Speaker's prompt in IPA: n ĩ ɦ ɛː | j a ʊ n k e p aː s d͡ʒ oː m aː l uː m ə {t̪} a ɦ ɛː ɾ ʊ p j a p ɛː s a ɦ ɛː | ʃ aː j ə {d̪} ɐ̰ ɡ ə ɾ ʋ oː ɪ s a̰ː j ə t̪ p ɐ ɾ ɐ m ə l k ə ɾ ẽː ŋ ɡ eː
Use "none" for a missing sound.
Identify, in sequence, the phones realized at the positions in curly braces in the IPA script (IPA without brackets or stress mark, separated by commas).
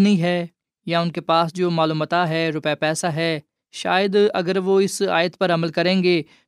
t̪, d̪